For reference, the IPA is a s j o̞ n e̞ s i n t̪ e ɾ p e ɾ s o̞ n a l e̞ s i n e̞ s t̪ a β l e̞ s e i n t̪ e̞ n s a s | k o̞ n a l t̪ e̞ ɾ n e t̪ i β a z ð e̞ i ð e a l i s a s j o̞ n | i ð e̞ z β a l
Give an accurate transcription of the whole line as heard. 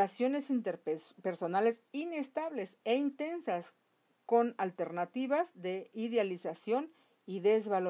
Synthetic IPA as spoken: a s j o̞ n e̞ s i n t̪ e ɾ p e ɾ s o̞ n a l e̞ s i n e̞ s t̪ a β l e̞ s e i n t̪ e̞ n s a s | k o̞ n a l t̪ e̞ ɾ n a t̪ i β a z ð e̞ i ð e a l i s a s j o̞ n | i ð e̞ z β a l